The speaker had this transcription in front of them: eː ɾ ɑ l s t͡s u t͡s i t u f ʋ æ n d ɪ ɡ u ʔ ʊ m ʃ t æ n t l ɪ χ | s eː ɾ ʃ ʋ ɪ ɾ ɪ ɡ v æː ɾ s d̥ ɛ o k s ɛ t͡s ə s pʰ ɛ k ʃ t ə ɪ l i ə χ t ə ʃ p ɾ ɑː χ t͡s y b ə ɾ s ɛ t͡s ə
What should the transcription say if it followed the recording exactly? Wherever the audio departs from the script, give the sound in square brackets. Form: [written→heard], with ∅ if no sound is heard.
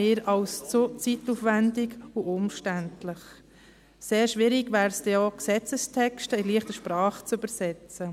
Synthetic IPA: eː ɾ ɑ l s t͡s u t͡s i t u f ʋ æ n d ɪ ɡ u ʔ ʊ m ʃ t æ n t l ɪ χ | s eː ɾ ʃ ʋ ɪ ɾ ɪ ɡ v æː ɾ s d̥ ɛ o k s ɛ t͡s ə s [pʰ→tʰ] ɛ k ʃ t ə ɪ l i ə χ t ə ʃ p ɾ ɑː χ t͡s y b ə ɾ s ɛ t͡s ə